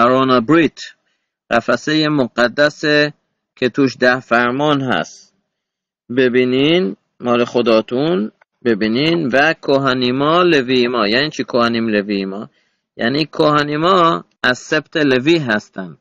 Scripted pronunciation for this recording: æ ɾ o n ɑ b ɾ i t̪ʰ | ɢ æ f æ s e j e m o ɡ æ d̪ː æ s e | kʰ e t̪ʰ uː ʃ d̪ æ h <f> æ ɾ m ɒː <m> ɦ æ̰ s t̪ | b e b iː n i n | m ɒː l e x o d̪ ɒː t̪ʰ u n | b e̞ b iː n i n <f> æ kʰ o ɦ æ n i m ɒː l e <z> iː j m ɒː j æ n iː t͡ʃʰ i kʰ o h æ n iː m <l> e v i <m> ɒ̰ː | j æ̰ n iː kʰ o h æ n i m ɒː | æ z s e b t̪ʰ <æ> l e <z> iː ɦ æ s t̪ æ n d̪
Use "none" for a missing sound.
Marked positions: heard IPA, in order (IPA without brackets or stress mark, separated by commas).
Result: f, n, v, v, l, m, e, v